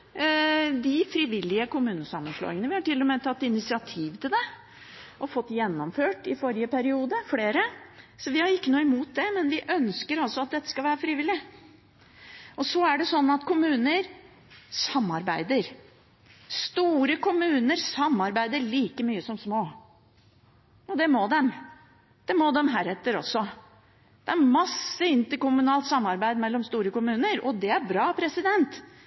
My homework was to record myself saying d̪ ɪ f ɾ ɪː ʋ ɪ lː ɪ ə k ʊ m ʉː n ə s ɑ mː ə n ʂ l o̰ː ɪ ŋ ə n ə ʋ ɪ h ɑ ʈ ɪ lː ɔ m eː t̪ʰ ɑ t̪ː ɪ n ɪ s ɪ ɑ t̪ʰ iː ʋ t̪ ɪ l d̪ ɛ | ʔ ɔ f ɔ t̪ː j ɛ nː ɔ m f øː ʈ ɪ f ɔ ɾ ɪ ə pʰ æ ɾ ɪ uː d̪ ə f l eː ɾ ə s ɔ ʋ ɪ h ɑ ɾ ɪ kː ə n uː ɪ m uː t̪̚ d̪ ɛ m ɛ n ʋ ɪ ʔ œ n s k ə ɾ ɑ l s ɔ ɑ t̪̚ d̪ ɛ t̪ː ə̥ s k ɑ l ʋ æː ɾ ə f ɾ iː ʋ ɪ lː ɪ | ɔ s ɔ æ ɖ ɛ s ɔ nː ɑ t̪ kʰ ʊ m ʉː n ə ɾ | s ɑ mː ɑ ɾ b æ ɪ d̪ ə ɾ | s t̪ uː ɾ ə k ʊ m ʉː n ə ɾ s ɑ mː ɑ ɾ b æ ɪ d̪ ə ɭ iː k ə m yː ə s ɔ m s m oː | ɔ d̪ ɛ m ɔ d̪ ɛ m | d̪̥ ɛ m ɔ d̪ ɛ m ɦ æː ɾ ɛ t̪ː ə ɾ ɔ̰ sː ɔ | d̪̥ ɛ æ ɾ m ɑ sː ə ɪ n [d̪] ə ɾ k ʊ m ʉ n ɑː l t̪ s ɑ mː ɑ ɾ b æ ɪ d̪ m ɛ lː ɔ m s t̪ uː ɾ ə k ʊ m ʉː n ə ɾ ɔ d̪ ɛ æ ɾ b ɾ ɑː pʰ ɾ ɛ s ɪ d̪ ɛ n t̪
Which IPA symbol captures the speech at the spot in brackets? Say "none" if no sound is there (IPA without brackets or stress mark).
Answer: t̪